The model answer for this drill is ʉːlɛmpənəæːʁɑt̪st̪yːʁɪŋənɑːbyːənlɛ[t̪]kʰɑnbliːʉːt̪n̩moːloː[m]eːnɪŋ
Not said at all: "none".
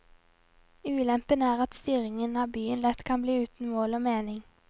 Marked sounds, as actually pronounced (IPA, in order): t̪, m

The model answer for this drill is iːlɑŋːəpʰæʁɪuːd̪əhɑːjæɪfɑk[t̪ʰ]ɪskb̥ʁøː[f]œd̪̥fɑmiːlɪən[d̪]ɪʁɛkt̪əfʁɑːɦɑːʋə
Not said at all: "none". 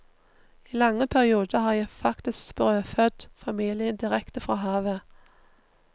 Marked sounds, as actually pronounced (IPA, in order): t̪, f, d̪

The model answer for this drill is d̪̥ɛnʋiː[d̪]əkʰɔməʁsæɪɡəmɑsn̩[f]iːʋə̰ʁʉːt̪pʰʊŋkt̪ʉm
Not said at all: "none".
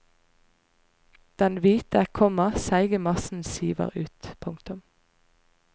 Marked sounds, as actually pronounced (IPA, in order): t̪, s

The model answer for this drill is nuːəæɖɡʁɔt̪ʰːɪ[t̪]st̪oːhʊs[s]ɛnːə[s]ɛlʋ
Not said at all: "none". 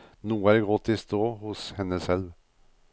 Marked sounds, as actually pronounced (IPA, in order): none, h, s

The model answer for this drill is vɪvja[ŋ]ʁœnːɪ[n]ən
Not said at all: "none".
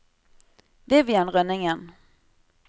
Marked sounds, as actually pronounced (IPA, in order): n, ŋ

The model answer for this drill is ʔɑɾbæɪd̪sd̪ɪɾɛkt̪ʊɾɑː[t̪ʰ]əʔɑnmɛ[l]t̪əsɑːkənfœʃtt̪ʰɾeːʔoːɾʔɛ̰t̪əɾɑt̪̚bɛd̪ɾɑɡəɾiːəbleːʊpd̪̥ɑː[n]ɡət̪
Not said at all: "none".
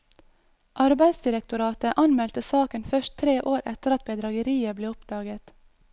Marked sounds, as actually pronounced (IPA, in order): t̪, l, none

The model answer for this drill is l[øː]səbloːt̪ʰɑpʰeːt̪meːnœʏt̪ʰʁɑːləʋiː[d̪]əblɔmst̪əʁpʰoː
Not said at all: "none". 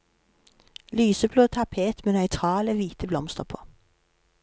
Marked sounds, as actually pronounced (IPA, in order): yː, t̪

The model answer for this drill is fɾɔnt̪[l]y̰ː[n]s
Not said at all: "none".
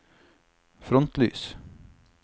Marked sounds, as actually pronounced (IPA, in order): l, none

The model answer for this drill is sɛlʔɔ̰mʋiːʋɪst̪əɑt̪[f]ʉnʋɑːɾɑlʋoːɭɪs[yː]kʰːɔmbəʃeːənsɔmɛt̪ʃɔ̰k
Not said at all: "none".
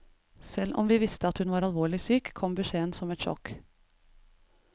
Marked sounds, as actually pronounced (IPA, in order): h, yː

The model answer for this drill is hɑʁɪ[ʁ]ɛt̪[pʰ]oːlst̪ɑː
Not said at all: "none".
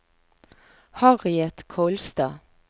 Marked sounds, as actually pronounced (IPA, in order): none, kʰ

